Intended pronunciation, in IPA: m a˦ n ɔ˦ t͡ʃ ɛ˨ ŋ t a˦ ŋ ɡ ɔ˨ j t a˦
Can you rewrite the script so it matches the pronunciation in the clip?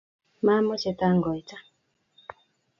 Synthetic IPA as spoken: m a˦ m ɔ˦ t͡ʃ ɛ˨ t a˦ ŋ ɡ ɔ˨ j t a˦